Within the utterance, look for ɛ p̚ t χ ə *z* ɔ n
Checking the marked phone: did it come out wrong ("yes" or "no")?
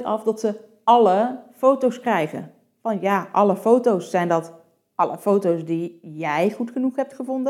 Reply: yes